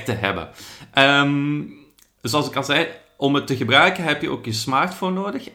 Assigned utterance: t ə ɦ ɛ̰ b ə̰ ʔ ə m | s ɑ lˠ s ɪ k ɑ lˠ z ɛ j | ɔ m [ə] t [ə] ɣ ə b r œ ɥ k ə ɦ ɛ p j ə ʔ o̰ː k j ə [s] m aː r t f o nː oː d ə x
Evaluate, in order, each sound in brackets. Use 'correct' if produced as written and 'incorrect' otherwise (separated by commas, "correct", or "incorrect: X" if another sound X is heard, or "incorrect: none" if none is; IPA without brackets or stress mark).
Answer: correct, correct, correct